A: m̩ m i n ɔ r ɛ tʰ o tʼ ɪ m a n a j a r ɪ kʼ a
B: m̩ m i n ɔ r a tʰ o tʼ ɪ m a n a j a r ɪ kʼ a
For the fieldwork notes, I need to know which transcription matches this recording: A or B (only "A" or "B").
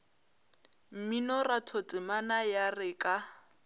B